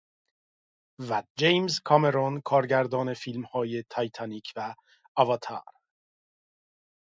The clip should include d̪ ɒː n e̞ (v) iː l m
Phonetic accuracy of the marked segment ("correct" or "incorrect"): incorrect